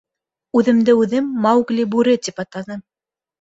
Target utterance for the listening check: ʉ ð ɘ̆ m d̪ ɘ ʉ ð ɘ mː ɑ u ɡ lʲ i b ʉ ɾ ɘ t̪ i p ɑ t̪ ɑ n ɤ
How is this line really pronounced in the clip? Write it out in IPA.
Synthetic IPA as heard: ʉ ð ɘ̆ m d̪ ɘ ʉ ð ɘ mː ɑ w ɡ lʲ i b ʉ ɾ ɘ t̪ i p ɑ t̪ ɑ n ɤ